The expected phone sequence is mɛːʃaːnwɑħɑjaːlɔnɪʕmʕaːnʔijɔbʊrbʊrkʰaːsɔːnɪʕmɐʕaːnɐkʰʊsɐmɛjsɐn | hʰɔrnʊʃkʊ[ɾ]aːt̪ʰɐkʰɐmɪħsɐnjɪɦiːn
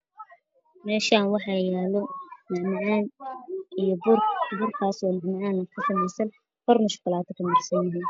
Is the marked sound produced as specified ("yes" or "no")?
no